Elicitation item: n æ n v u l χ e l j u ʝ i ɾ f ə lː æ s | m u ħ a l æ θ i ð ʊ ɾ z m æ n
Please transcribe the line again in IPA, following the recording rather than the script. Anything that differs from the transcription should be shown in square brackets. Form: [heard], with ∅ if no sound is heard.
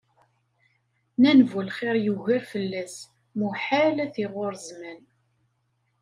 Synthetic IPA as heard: n æ n v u l χ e [ɾ] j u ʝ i ɾ f ə lː æ s | m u ħ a l æ θ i [ʁ] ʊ ɾ z m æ n